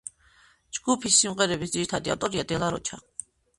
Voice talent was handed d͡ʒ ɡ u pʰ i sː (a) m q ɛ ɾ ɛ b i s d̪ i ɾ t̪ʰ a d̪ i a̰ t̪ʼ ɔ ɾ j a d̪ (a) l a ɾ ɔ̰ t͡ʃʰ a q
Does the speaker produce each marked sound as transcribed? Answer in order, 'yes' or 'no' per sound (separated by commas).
no, no